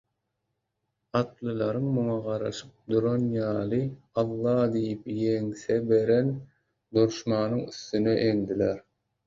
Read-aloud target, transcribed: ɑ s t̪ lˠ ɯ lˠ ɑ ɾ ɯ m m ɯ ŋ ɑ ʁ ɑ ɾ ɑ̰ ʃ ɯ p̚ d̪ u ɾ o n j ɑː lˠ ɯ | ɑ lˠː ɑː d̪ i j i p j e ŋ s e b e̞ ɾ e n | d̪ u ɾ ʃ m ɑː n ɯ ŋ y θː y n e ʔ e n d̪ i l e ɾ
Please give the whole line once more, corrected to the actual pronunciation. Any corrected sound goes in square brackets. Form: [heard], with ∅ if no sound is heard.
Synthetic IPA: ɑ [∅] t̪ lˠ ɯ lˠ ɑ ɾ ɯ [ŋ] m [u] ŋ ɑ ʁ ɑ ɾ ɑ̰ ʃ ɯ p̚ d̪ u ɾ o n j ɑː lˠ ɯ | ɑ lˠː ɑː d̪ i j i p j e ŋ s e b e̞ ɾ e n | d̪ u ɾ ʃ m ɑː n ɯ ŋ y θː y n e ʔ e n d̪ i l e ɾ